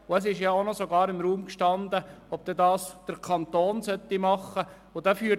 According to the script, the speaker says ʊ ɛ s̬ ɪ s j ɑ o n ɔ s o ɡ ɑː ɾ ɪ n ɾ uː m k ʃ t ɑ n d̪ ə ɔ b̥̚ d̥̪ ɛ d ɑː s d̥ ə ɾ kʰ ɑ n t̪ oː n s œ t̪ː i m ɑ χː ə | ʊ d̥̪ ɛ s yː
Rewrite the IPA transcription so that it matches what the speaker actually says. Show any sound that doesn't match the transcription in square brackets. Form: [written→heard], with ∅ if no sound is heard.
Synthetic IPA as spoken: ʊ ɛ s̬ ɪ [s→ʃ] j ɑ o n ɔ s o ɡ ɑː ɾ ɪ [n→m] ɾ uː m k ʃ t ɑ n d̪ ə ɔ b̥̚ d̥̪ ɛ d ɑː s d̥ ə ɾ kʰ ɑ n t̪ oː n s œ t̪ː i m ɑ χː ə | ʊ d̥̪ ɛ [s→f] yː

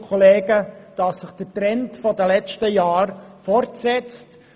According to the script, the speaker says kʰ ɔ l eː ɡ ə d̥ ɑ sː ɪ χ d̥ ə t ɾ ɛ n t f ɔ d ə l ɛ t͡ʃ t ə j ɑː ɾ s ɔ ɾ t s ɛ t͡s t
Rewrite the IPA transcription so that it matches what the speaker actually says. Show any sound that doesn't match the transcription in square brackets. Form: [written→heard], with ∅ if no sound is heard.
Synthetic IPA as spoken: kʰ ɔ l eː ɡ ə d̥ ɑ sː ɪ χ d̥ ə t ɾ ɛ n t f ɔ d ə l ɛ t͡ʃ t ə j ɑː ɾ [s→f] ɔ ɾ t s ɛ t͡s t

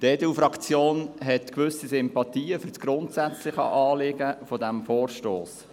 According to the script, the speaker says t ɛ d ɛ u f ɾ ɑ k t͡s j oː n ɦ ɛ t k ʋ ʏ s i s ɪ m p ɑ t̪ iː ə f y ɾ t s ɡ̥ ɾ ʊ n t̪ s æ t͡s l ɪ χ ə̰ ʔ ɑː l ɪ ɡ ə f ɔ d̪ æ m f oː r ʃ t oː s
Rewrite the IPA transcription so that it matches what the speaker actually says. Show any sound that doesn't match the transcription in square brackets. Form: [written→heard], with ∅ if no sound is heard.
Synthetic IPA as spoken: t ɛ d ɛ u f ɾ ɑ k t͡s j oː n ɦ ɛ t k ʋ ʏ s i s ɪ m p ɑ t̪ iː ə f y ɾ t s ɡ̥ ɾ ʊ n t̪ s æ t͡s l ɪ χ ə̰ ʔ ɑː l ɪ ɡ ə f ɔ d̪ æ m f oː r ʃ t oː s

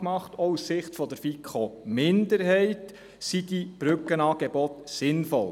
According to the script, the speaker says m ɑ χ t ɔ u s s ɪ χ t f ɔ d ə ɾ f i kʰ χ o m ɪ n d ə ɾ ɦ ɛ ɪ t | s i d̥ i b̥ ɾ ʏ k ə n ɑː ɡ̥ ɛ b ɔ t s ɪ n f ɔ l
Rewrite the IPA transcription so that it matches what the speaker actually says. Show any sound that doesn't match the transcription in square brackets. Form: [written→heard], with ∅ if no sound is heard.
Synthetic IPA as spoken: m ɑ χ t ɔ u s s ɪ χ t f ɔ d ə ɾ f i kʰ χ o m ɪ n d ə ɾ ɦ ɛ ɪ t | s i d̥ i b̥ ɾ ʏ k ə n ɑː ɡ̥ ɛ b ɔ t s ɪ n f ɔ l

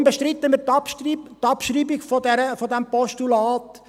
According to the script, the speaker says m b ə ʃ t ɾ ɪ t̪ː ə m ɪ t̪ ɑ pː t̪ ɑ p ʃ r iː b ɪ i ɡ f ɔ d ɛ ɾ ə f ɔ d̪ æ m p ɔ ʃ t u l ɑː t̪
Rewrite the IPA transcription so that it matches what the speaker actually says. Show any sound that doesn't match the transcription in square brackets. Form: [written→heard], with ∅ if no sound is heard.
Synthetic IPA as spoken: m b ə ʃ t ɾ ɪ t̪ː ə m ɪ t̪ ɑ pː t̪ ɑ p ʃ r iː b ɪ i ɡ f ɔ d ɛ ɾ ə f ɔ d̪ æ m p ɔ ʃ t u l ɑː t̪

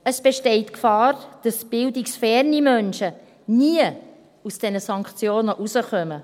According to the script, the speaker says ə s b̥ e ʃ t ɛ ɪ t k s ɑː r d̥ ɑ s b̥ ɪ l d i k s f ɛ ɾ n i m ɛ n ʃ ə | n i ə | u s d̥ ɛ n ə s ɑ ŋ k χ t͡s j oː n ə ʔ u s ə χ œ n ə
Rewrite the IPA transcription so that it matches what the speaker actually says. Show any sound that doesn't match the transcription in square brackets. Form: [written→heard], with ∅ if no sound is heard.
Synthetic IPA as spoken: ə s b̥ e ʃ t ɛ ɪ t k [s→f] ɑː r d̥ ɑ s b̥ ɪ l d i k s f ɛ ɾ n i m [ɛ→œ] n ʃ ə | n i ə | u s d̥ ɛ n ə s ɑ ŋ k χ t͡s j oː n ə ʔ u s ə χ œ [n→m] ə

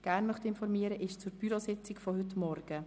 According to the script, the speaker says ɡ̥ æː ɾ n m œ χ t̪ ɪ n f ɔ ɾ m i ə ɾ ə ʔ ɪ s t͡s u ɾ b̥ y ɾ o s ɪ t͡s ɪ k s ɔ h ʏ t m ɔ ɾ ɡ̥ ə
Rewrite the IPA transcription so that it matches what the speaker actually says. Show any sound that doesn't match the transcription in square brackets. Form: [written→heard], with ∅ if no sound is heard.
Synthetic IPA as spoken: ɡ̥ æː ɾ n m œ χ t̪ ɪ n f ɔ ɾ m i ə ɾ ə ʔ ɪ [s→ʃ] t͡s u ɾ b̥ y ɾ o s ɪ t͡s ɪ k [s→f] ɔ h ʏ t m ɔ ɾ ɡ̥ ə

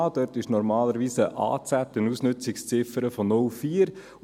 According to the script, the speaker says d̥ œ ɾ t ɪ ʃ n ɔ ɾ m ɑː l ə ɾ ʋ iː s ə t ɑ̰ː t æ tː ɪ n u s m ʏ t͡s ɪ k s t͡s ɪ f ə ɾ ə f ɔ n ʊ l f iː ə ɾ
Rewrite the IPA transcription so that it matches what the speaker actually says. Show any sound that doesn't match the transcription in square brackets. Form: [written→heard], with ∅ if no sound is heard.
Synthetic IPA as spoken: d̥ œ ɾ t ɪ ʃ n ɔ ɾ m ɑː l ə ɾ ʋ iː s ə [t→ʔ] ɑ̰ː [t→t͡s] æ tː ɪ n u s [m→n] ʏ t͡s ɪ k s t͡s ɪ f ə ɾ ə f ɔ n ʊ l f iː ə ɾ

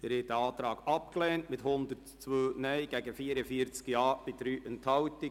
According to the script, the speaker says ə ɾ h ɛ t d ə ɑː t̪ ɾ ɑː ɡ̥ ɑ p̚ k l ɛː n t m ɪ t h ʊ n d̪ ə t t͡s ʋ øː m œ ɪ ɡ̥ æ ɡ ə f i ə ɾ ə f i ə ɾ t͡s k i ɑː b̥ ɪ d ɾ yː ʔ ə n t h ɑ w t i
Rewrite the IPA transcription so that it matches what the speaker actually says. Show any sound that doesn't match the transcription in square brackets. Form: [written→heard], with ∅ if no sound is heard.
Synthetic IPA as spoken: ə ɾ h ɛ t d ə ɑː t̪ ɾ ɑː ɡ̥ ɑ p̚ k l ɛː n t m ɪ t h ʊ n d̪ ə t t͡s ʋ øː [m→n] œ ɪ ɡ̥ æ ɡ ə f i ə ɾ ə f i ə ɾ t͡s k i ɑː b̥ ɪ d ɾ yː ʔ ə n t h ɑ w t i

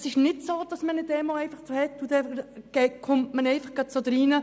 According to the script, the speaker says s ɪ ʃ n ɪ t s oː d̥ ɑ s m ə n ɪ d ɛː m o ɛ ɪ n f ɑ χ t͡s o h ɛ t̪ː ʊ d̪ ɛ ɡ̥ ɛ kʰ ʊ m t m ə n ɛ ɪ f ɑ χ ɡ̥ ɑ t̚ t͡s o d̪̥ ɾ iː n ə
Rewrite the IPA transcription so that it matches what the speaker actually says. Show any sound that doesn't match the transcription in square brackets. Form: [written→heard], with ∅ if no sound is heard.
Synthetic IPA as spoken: s ɪ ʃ n ɪ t s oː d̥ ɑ s m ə n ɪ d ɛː m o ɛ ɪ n f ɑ χ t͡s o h ɛ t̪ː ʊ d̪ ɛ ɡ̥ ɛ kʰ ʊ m t m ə n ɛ ɪ f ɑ χ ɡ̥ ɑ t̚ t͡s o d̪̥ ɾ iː n ə

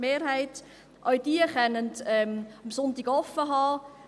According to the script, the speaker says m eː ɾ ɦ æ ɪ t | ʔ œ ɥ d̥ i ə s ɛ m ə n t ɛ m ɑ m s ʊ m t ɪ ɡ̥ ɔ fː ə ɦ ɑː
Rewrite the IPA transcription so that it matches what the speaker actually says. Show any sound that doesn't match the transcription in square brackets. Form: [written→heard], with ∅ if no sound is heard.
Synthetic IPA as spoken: m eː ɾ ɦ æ ɪ t | ʔ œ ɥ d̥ i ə [s→χ] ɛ [m→n] ə n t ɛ m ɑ m s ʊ [m→n] t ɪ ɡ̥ ɔ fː ə ɦ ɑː

